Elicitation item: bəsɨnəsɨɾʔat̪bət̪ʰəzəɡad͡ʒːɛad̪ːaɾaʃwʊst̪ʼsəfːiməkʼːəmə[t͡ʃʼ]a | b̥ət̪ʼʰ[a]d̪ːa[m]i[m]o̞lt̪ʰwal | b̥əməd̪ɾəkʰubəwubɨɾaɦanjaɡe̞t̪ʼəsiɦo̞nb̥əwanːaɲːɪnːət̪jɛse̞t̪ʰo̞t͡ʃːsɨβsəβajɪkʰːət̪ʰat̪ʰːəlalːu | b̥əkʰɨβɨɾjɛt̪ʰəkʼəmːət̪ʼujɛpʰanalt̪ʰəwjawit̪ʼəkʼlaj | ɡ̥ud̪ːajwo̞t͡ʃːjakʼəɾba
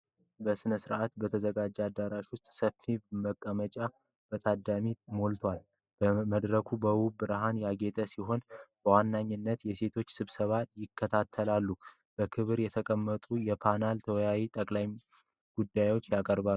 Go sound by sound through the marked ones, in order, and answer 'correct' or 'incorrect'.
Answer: correct, correct, correct, correct

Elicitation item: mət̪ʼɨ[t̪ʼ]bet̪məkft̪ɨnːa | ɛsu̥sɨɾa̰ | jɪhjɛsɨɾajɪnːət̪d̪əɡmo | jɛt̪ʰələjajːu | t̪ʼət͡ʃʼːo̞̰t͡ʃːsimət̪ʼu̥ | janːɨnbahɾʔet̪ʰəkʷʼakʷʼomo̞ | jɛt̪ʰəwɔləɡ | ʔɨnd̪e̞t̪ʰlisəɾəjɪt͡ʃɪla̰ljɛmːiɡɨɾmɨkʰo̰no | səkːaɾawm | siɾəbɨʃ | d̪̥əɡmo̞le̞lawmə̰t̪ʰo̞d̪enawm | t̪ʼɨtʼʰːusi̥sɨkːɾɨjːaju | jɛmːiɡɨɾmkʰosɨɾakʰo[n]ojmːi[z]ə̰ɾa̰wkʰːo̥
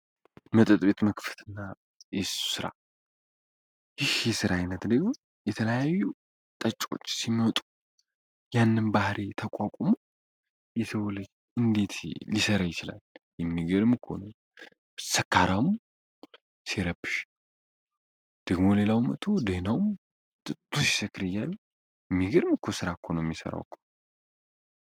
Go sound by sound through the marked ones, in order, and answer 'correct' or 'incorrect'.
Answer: correct, correct, incorrect

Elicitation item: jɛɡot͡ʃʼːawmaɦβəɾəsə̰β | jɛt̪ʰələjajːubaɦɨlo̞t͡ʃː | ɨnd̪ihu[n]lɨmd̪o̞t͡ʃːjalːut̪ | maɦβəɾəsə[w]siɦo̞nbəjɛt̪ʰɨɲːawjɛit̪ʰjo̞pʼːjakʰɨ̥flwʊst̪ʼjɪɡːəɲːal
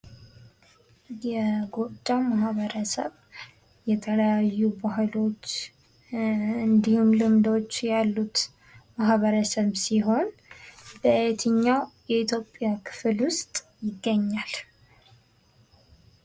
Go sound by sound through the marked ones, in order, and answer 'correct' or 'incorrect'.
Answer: incorrect, incorrect

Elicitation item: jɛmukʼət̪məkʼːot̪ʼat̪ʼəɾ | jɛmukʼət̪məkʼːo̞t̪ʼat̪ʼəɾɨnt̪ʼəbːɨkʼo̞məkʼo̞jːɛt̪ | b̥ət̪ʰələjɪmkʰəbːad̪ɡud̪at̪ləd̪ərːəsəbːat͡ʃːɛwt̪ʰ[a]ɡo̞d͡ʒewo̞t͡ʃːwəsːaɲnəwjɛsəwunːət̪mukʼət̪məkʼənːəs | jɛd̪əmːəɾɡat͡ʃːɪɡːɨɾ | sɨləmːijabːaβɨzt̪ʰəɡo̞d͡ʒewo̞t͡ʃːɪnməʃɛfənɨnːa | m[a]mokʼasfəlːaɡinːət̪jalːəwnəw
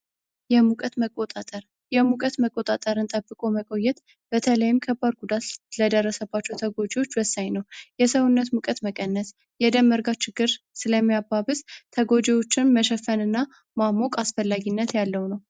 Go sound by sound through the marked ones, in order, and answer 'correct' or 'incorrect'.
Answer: incorrect, correct

